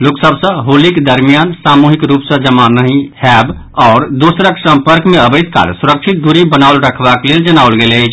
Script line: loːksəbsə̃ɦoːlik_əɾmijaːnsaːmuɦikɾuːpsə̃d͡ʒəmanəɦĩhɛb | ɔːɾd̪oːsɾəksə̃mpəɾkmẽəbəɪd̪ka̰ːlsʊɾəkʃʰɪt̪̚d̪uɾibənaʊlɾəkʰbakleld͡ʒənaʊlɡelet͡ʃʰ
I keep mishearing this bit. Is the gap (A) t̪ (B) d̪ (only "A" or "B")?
B